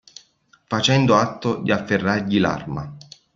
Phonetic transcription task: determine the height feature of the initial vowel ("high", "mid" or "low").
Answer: low